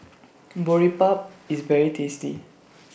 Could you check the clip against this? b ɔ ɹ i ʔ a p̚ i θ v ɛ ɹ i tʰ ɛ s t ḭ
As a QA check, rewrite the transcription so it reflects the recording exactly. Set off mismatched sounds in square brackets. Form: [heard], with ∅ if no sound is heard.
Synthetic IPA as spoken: b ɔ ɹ i [p] a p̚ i [s] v ɛ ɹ i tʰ [e] s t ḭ